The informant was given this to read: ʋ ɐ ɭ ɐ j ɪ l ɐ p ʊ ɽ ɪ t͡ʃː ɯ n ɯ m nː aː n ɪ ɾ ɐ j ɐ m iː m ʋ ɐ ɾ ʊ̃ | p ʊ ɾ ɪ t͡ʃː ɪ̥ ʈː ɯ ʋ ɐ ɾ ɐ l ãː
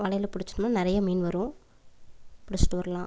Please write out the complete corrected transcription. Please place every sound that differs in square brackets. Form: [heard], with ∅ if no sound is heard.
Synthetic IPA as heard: ʋ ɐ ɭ ɐ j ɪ l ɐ p ʊ ɽ ɪ t͡ʃː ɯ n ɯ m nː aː n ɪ ɾ ɐ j ɐ m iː [n] ʋ ɐ ɾ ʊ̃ | p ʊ [ɽ] ɪ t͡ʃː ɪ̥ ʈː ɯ ʋ ɐ ɾ ɐ l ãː